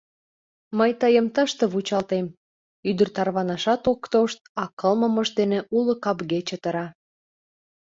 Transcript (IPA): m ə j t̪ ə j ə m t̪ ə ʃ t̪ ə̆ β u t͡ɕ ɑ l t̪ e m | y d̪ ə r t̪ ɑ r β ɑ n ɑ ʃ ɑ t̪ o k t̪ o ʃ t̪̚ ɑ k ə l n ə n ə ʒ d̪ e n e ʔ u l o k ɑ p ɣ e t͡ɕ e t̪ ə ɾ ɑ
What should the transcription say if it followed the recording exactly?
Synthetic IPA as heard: m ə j t̪ ə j ə m t̪ ə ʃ t̪ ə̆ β u t͡ɕ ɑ l t̪ e m | y d̪ ə r t̪ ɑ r β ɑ n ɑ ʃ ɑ t̪ o k t̪ o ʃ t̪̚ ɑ k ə l m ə m ə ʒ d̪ e n e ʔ u l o k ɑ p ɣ e t͡ɕ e t̪ ə ɾ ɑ